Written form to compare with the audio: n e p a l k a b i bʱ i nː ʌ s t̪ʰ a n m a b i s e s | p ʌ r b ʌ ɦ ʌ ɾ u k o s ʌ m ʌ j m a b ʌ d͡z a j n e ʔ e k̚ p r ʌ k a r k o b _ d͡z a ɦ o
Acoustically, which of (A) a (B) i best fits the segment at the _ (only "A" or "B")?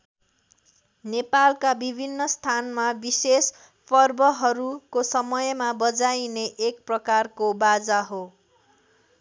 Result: A